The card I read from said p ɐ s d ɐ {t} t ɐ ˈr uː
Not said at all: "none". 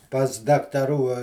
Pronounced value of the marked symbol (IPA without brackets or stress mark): k